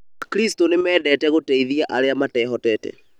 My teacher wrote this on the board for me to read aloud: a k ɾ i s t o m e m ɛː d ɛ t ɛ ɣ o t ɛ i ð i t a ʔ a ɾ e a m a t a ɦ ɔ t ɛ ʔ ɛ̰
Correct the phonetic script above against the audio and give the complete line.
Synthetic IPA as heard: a k ɾ i s t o n e m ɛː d ɛ t ɛ ɣ o t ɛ i ð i a ʔ a ɾ e a m a t ɛ ɦ ɔ t ɛ t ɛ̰